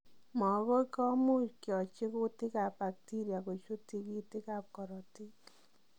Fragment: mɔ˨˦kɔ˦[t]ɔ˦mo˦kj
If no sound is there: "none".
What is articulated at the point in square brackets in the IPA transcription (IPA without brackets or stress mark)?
k